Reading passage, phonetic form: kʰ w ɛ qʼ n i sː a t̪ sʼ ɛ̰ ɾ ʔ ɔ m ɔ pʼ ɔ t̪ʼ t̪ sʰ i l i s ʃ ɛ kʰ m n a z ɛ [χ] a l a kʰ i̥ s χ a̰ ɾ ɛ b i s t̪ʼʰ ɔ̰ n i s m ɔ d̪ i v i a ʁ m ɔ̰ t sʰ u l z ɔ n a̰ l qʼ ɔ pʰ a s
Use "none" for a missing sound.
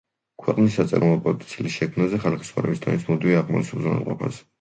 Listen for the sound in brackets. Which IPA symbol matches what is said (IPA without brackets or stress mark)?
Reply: χ